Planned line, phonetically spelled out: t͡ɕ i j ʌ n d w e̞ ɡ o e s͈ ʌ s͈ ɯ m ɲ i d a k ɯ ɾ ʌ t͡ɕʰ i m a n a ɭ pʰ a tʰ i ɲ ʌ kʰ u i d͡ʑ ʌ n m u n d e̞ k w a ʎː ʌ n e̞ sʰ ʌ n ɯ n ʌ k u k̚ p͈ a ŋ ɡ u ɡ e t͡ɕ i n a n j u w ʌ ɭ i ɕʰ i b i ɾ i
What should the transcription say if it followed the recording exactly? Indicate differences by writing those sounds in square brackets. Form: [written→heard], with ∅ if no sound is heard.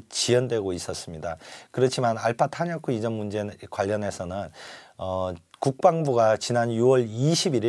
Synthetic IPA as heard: t͡ɕ i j ʌ n d w e̞ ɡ o [e→i] s͈ ʌ s͈ ɯ m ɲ i d a k ɯ ɾ ʌ t͡ɕʰ i m a n a ɭ pʰ a tʰ [i→a] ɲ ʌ kʰ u i d͡ʑ ʌ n m u n [d→d͡ʑ] e̞ k w a ʎː ʌ n e̞ sʰ ʌ n ɯ n ʌ k u k̚ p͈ a ŋ [ɡ→b] u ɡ [e→a] t͡ɕ i n a n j u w ʌ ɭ i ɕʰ i b i ɾ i